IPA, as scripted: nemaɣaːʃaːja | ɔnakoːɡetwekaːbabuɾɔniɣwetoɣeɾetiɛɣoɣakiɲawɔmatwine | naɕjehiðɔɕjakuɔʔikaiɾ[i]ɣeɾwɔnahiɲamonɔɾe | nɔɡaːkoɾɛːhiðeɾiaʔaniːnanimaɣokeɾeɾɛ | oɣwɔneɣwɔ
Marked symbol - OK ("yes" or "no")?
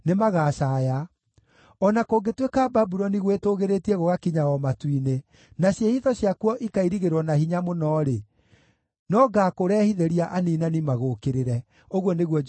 yes